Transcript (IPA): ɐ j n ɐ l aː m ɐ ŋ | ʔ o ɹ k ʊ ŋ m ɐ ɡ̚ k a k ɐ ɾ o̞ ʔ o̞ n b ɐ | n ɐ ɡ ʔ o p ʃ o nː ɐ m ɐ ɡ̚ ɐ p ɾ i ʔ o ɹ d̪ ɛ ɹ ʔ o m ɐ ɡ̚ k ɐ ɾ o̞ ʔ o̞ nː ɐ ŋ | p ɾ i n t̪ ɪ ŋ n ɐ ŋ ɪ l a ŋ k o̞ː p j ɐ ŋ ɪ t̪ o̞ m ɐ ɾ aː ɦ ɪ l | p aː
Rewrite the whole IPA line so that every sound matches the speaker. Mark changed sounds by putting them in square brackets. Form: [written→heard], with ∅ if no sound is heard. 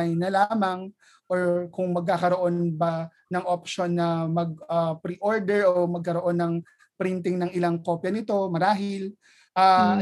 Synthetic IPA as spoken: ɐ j n ɐ l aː m ɐ ŋ | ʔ o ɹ k ʊ ŋ m ɐ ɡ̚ k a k ɐ ɾ o̞ ʔ o̞ n b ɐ | n ɐ [ɡ→ŋ] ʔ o p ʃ o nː ɐ m ɐ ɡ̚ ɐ p ɾ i ʔ o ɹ d̪ ɛ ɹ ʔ o m ɐ ɡ̚ k ɐ ɾ o̞ ʔ o̞ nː ɐ ŋ | p ɾ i n t̪ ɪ ŋ n ɐ ŋ ɪ l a ŋ k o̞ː p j ɐ [ŋ→n] ɪ t̪ o̞ m ɐ ɾ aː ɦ ɪ l | [p→ʔ] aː